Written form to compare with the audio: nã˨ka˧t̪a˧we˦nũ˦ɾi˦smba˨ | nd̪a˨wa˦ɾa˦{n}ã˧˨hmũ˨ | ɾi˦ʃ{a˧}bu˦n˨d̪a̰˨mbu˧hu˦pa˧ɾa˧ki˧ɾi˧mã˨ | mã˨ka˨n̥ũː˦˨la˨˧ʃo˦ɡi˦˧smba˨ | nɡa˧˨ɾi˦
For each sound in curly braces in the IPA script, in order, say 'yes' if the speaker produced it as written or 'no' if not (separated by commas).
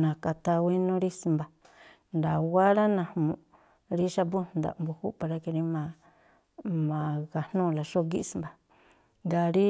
yes, yes